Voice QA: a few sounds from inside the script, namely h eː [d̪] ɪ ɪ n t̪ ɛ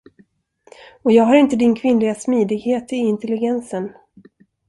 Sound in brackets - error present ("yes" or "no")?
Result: yes